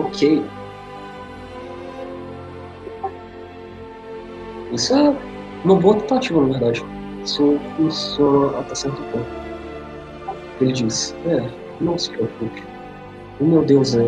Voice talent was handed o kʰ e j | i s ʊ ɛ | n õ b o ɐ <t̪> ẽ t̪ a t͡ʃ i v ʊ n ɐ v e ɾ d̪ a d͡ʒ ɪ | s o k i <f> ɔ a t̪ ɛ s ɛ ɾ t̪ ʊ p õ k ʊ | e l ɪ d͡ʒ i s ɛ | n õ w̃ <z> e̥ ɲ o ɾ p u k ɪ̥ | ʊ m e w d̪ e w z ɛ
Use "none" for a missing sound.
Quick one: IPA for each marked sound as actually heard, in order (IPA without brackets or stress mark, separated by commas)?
t̪, s, s